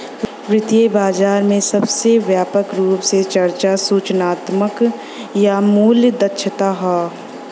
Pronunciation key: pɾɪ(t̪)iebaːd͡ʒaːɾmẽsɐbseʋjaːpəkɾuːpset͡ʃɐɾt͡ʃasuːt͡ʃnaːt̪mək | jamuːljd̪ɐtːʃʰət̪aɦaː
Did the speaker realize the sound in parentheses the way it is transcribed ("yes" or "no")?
yes